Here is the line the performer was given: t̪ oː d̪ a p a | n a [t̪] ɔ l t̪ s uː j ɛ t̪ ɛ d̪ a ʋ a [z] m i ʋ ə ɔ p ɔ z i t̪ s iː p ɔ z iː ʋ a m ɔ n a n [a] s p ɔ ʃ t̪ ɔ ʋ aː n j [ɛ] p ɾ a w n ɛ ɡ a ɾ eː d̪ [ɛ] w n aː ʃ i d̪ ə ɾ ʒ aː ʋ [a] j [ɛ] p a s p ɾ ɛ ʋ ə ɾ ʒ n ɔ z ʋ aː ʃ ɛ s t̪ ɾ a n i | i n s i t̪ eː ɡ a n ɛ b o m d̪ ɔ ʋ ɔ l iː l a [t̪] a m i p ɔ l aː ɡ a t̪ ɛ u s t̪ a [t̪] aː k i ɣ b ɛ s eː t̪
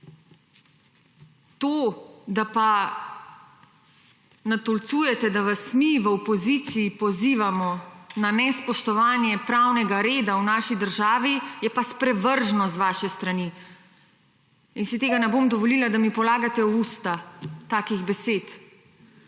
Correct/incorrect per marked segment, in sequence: correct, incorrect: s, incorrect: ɛ, correct, incorrect: a, incorrect: i, correct, incorrect: d̪, correct

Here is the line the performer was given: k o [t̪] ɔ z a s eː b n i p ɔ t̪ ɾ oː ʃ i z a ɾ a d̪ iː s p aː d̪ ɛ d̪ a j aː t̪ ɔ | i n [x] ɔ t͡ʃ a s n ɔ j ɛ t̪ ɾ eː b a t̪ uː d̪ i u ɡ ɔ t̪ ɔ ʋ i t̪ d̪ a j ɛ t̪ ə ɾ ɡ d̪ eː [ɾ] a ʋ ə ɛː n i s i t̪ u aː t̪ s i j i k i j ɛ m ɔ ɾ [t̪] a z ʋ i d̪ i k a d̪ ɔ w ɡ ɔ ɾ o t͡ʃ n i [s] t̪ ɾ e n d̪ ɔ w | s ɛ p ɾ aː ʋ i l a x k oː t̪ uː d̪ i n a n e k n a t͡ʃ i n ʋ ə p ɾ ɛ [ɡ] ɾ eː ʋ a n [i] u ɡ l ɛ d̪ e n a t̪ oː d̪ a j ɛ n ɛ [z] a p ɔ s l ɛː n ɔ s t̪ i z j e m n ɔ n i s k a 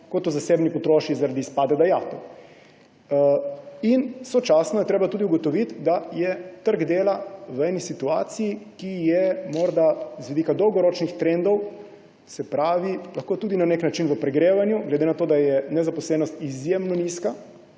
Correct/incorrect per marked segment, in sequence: correct, incorrect: s, incorrect: l, incorrect: d̪, incorrect: x, correct, incorrect: j, correct

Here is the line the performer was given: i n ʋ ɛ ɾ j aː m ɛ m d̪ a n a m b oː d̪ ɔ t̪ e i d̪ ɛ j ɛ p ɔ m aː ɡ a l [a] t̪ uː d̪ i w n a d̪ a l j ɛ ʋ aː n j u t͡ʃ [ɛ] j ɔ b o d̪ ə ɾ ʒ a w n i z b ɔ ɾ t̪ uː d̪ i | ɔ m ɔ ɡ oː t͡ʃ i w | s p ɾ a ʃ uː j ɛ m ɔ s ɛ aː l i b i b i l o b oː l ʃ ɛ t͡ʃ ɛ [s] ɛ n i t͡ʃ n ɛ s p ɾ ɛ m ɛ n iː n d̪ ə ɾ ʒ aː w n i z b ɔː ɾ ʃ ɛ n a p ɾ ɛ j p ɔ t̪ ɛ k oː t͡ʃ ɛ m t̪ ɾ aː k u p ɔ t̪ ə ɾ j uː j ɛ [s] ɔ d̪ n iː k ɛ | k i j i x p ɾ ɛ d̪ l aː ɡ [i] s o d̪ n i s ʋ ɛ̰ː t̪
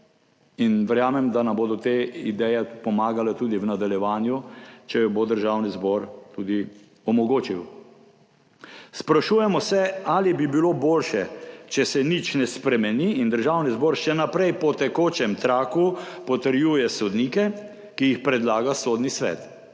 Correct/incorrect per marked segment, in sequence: incorrect: ɛ, correct, correct, correct, incorrect: a

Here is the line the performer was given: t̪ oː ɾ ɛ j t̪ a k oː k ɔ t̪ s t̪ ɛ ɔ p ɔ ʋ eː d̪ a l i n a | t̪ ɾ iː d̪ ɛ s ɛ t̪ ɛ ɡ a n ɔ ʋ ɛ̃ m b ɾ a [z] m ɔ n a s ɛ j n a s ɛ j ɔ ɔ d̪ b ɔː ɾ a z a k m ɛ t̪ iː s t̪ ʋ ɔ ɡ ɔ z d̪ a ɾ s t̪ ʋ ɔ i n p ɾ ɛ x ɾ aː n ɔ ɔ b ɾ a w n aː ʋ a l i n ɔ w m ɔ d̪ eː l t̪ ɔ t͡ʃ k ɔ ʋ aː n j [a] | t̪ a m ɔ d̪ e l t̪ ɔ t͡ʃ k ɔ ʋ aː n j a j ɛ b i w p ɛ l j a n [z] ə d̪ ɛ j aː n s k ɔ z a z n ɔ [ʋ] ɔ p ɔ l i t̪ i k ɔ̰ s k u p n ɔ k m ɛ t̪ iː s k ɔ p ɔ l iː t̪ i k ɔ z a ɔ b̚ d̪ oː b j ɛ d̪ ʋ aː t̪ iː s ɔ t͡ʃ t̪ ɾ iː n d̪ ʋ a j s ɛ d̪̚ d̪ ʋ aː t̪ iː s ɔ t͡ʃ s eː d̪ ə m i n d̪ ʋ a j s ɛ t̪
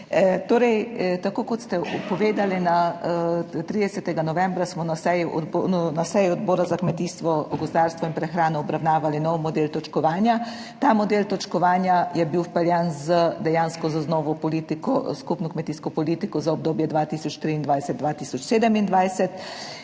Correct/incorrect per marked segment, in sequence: incorrect: s, correct, correct, correct

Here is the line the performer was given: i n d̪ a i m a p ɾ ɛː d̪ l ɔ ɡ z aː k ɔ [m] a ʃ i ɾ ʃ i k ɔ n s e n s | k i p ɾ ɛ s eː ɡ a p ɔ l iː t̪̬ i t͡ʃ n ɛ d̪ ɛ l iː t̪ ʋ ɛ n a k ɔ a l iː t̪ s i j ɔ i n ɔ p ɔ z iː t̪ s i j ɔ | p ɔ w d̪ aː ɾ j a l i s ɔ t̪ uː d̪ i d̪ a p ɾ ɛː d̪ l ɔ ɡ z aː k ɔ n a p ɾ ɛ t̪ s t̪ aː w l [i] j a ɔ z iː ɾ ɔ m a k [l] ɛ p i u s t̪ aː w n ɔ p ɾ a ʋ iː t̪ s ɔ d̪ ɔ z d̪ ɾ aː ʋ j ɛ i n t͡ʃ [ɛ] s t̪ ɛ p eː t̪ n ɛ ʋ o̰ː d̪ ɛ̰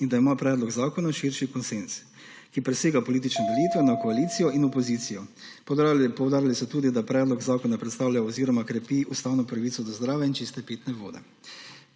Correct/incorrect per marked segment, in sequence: incorrect: n, incorrect: a, incorrect: ɾ, incorrect: i

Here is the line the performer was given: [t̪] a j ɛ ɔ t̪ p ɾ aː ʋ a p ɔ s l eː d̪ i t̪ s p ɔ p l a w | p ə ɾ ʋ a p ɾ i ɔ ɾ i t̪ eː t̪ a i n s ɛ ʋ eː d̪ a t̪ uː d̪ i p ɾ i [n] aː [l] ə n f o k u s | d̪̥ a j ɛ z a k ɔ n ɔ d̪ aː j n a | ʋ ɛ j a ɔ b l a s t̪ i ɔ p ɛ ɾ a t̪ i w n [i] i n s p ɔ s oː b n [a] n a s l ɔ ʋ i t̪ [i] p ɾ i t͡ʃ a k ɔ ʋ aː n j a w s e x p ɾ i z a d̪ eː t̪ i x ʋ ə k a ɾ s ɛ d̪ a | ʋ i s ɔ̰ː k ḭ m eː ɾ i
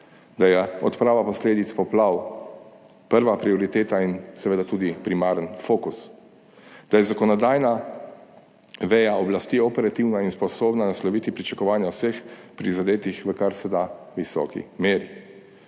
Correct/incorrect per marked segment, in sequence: incorrect: d̪, incorrect: m, incorrect: ɾ, incorrect: a, correct, correct

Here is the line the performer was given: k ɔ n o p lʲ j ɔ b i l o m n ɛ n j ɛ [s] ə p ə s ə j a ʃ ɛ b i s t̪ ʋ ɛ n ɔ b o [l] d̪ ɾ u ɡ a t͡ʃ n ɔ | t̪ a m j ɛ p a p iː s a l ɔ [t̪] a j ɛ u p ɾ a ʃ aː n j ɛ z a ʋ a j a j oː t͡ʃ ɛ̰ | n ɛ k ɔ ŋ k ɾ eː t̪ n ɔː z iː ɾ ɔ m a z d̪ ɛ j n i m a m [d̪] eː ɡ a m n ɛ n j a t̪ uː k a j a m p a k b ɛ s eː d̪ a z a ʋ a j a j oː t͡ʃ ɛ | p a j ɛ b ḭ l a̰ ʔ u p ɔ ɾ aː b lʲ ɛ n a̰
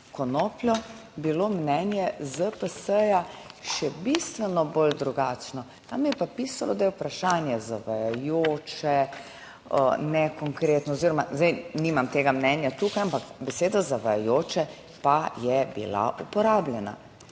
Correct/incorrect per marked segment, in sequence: incorrect: z, correct, incorrect: d̪, incorrect: t̪

